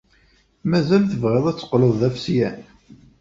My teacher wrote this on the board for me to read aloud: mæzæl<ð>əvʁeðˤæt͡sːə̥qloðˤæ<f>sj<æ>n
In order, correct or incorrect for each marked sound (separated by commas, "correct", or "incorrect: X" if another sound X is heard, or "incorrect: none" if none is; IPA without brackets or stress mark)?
incorrect: θ, correct, correct